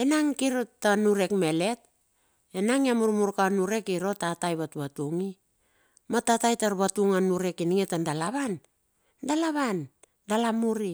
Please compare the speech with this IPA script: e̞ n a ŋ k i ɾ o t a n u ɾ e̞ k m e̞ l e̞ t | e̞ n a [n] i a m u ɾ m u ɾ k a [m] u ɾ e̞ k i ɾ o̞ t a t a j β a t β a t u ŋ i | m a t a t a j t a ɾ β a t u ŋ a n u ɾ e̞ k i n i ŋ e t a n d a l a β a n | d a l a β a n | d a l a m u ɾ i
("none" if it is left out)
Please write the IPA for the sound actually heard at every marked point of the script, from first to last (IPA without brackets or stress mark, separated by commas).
ŋ, n